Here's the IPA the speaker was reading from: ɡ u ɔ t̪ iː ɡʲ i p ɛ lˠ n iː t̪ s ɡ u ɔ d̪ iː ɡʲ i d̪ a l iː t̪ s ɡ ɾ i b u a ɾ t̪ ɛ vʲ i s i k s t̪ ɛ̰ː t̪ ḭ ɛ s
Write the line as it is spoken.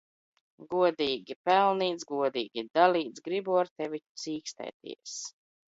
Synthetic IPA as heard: ɡ u ɔ d̪ iː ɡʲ i p ɛ lˠ n iː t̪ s ɡ u ɔ d̪ iː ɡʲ i d̪ a l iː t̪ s ɡ ɾ i b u a ɾ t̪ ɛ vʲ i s iː k s t̪ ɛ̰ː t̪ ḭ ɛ s